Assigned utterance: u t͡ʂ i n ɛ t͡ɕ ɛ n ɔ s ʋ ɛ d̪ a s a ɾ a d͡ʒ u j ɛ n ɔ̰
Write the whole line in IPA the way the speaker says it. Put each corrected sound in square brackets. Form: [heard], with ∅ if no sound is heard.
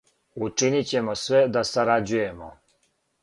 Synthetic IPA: u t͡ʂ i n [i] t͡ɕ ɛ [m] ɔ s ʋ ɛ d̪ a s a ɾ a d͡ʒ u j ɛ [m] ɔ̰